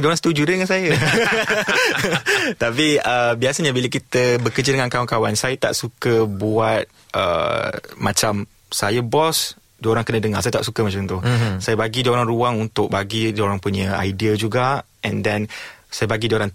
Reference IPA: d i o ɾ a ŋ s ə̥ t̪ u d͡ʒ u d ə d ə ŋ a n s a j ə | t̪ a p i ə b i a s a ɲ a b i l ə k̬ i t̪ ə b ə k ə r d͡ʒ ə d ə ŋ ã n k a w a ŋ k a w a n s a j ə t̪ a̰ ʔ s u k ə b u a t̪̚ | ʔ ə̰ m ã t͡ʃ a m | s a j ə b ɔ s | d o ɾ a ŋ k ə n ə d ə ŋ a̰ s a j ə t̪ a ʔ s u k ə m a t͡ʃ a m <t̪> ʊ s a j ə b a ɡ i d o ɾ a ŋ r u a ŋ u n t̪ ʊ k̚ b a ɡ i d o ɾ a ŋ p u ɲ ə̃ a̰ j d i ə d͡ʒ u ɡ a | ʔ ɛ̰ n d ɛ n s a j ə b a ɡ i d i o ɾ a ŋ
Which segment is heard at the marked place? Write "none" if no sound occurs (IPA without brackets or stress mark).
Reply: t̪